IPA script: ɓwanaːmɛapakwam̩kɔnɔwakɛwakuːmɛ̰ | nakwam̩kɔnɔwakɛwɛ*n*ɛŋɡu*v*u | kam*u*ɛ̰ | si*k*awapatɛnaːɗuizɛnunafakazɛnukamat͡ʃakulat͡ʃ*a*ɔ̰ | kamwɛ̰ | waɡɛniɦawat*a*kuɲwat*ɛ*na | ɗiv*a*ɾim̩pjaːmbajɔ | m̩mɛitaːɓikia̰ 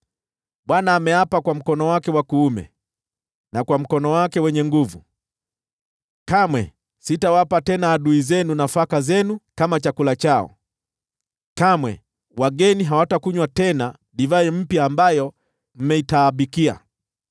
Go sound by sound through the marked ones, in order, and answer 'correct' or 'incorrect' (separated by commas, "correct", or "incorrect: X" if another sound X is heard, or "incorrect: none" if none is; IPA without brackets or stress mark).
incorrect: ɲ, correct, incorrect: w, incorrect: t, correct, correct, correct, correct